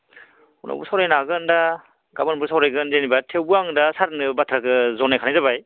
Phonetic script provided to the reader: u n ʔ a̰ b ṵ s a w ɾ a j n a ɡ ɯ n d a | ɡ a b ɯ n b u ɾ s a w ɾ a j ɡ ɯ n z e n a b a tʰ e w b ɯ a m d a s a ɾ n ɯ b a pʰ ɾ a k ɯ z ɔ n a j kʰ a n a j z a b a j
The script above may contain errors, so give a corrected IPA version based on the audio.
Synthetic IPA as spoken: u n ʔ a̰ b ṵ s a w ɾ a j n a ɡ ɯ n d a | ɡ a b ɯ n b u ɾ s a w ɾ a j ɡ ɯ n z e n i b a tʰ e w b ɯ a ŋ d a s a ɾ n ɯ b a tʰ ɾ a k ɯ z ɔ n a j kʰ a n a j z a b a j

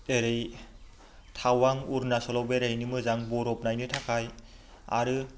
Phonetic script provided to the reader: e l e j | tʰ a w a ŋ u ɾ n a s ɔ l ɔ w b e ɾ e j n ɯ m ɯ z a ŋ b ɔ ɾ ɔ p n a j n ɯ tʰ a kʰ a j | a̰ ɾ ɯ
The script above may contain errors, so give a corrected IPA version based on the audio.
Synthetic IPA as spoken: e ɾ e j | tʰ a w a ŋ u ɾ n a s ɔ l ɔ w b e ɾ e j n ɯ m ɯ z a ŋ b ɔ ɾ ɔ p n a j n ɯ tʰ a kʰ a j | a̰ ɾ ɯ

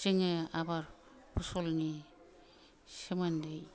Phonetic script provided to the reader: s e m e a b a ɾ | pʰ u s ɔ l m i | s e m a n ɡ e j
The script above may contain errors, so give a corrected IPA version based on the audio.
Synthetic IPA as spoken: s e ŋ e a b a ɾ | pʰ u s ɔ l n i | s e m a n d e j

